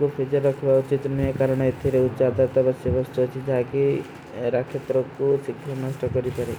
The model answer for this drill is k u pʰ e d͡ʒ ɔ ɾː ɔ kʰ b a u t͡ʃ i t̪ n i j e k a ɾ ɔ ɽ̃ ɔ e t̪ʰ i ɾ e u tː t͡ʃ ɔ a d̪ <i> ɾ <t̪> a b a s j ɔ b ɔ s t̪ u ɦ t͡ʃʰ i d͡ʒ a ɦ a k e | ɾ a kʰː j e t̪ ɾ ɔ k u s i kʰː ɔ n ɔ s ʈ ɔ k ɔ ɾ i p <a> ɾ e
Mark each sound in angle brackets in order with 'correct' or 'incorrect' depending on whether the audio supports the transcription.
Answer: incorrect: a, correct, correct

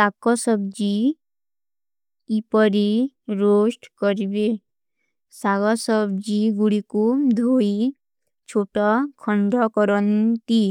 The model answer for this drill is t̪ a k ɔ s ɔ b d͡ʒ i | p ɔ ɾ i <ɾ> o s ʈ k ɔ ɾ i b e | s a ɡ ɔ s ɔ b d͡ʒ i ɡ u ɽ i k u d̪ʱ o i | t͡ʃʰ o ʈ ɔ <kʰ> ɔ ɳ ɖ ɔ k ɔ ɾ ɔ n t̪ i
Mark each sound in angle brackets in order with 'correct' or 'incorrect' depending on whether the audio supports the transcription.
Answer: correct, correct

